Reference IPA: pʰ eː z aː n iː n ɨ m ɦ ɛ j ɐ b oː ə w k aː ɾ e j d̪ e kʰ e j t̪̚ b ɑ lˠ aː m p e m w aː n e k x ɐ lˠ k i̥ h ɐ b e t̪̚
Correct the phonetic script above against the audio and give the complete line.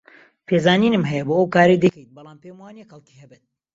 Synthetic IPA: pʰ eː z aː n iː n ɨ m ɦ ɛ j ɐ b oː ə w k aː ɾ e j d̪ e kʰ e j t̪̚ b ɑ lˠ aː m p e m w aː n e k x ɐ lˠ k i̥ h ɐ b e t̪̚